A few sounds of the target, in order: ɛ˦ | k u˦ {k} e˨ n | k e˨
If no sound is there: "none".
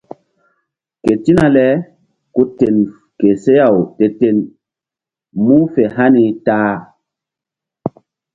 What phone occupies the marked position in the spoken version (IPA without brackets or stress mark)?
t